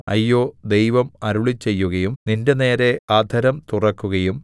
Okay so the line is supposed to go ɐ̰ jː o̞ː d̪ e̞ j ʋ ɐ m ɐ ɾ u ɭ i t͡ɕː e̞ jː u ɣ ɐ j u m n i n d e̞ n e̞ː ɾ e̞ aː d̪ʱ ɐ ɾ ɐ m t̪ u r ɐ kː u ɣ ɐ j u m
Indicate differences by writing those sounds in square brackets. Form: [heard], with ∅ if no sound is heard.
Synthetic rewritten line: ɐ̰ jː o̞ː d̪ e̞ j ʋ ɐ m ɐ ɾ u ɭ i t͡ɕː e̞ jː u ɣ ɐ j u m n i n d e̞ n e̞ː ɾ e̞ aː d̪ʱ ɐ ɾ ɐ m t̪ u r ɐ kː u ɣ ɐ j u m